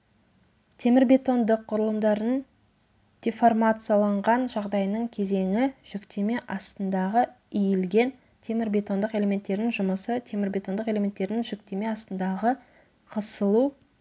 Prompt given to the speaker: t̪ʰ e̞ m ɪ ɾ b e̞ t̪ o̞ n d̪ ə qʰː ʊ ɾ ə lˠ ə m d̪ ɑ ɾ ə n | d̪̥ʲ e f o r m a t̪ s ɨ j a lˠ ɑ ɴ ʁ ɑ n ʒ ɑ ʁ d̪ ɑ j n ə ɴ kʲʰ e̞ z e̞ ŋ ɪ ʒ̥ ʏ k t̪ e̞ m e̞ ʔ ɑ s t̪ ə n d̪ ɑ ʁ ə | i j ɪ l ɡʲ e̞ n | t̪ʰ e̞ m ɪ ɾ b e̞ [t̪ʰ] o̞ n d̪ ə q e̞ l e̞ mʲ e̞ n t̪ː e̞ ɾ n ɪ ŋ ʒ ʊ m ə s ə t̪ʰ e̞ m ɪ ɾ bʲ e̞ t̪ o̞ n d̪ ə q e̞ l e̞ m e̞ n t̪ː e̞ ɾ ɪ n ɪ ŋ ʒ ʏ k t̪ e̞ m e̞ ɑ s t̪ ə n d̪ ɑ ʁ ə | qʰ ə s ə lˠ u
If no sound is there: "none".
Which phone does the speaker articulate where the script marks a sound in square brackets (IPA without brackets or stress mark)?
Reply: t̪